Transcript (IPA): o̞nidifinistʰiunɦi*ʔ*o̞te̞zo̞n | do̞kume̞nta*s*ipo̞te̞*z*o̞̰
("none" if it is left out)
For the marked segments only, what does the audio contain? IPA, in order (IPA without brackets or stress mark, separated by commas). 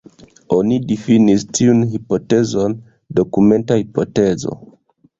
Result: p, h, z